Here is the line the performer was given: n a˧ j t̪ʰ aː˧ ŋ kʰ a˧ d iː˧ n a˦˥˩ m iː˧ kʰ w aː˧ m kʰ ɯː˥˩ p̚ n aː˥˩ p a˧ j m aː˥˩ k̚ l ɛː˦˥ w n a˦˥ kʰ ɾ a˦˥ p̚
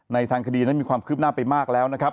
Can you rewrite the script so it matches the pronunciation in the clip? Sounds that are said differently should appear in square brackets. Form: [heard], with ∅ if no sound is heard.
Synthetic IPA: n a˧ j t̪ʰ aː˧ ŋ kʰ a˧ d iː˧ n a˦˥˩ m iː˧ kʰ w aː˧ m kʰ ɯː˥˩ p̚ n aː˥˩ p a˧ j m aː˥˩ k̚ l ɛː˦˥ w n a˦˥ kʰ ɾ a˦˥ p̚